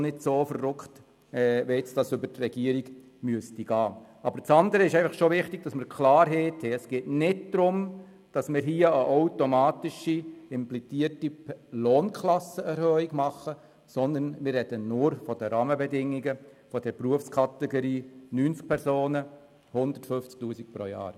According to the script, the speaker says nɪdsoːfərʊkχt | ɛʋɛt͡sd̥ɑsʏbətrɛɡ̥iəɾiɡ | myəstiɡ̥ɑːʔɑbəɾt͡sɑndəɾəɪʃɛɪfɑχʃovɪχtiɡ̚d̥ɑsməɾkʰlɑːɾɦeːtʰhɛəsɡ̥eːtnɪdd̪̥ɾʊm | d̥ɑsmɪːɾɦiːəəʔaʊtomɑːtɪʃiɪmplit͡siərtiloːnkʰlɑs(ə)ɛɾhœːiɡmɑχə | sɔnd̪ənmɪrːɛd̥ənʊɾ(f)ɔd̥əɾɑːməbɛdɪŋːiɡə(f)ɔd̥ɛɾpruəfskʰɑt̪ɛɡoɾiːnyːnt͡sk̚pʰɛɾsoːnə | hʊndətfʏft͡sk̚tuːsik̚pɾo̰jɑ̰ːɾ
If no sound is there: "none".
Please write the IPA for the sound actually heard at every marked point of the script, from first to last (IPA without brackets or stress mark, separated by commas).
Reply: ə, f, f